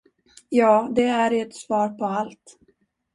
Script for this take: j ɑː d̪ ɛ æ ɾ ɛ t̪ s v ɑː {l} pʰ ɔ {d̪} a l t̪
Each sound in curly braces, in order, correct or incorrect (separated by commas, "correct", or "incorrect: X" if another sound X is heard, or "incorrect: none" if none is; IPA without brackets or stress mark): incorrect: ɾ, incorrect: none